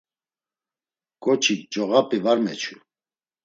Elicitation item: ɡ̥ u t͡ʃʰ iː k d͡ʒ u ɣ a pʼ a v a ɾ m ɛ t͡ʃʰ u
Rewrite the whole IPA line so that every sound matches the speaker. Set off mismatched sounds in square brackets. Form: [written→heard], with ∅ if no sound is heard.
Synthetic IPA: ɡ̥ [u→ɔ] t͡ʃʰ [iː→i] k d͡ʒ [u→ɔ] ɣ a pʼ [a→i] v a ɾ m ɛ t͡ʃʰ u